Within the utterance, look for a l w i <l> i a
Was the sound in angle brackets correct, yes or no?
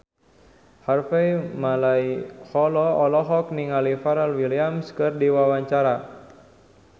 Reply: yes